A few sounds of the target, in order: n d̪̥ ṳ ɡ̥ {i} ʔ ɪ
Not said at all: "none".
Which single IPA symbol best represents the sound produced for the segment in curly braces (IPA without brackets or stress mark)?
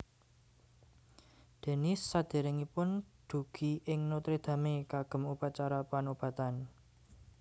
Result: i